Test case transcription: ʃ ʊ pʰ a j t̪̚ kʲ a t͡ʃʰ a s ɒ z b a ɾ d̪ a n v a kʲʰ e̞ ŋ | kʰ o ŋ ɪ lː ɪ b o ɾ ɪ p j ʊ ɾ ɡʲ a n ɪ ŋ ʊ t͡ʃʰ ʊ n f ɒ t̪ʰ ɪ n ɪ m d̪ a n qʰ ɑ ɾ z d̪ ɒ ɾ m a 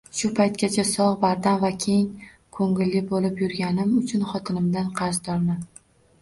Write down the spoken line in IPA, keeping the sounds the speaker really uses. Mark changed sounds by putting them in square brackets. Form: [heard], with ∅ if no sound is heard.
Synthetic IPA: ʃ ʊ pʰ a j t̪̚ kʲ a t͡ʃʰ a s ɒ [ʁ] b a ɾ d̪ a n v a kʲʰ e̞ ŋ | kʰ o ŋ ɪ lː ɪ b o [l] ɪ p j ʊ ɾ ɡʲ a n ɪ [m] ʊ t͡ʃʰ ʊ n [χ] ɒ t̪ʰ ɪ n ɪ m d̪ a n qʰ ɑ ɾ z d̪ ɒ ɾ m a